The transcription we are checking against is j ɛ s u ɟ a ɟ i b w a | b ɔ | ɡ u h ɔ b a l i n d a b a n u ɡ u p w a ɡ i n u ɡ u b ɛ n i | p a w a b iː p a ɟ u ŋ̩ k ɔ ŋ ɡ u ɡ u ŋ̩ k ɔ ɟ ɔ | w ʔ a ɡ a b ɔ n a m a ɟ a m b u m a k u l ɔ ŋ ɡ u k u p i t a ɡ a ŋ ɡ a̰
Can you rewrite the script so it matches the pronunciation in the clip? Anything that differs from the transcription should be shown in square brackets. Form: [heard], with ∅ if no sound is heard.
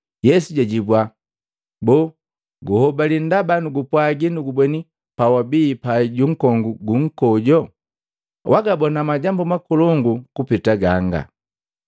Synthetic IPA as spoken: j ɛ s u ɟ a ɟ i b w a | b ɔ | ɡ u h ɔ b a l i n d a b a n u ɡ u p w a ɡ i n u ɡ u b ɛ n i | p a w a b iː p a ɟ u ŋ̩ k ɔ ŋ ɡ u ɡ u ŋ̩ k ɔ ɟ ɔ | w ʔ a ɡ a b ɔ n a m a ɟ a m b u m a k u l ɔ ŋ ɡ u k u p i t a ɡ a ŋ ɡ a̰